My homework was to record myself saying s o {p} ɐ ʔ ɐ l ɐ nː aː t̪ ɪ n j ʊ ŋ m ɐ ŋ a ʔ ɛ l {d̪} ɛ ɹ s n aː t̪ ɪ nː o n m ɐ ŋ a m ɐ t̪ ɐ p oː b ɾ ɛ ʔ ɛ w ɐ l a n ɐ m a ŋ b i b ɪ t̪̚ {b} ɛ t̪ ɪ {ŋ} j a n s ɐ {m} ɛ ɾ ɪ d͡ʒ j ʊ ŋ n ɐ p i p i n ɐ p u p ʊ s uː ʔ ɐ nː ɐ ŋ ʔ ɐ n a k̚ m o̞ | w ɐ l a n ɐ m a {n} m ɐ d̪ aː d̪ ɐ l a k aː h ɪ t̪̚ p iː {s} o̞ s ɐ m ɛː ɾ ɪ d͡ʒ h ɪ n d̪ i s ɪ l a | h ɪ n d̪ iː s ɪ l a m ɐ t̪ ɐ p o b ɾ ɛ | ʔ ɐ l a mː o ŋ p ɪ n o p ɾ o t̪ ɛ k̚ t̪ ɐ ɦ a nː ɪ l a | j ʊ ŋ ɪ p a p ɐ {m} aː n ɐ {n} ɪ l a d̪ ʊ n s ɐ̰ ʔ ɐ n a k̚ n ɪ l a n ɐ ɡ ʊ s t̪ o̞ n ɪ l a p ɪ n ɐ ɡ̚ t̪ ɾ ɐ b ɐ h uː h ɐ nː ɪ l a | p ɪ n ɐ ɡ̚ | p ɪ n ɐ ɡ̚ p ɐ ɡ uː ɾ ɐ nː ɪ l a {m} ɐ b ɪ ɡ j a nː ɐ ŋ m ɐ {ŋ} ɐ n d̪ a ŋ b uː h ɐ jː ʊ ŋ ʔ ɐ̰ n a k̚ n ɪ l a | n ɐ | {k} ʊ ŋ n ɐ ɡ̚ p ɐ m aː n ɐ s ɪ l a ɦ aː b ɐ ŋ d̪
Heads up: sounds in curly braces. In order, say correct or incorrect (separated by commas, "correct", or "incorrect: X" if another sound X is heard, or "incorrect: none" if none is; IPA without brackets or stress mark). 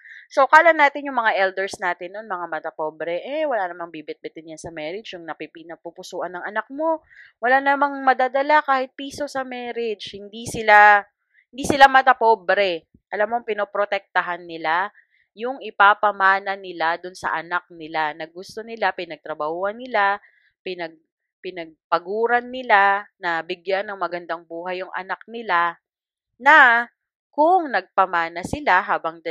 incorrect: k, correct, correct, incorrect: n, correct, incorrect: ŋ, correct, correct, correct, incorrect: n, incorrect: ɡ, correct